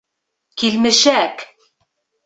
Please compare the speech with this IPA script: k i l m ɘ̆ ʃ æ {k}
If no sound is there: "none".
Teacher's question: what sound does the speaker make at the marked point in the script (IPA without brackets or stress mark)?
k